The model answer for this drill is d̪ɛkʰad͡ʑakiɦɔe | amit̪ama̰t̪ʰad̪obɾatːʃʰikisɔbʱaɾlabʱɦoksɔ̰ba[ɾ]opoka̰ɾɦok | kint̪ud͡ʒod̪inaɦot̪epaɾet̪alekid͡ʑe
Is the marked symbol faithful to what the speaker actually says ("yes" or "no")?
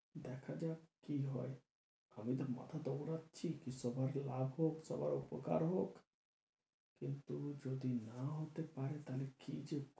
yes